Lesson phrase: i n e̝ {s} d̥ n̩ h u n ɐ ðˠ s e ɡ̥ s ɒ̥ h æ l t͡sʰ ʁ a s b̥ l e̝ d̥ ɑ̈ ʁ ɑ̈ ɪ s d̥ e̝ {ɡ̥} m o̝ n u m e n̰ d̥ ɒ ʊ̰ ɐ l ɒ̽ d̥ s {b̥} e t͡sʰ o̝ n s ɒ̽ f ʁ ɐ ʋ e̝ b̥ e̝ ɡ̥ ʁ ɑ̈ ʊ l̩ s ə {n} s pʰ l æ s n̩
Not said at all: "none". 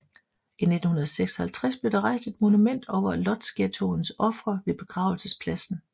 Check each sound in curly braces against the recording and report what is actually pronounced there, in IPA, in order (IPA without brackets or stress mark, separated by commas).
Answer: none, d̥, ɡ̥, none